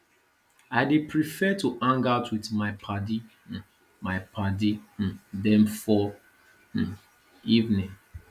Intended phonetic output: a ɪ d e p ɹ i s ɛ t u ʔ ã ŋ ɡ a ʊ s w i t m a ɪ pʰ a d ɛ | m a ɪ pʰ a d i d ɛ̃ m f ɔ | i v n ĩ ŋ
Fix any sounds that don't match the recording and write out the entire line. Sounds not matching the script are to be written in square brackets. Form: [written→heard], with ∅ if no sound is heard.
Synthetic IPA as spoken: a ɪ d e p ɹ i [s→f] ɛ t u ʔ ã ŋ ɡ a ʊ [s→t] w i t m a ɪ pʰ a d [ɛ→i] | m a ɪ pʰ a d i d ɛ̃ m f ɔ | i v n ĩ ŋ